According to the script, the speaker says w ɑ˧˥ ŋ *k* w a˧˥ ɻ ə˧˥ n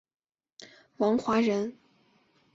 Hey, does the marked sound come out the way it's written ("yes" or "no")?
no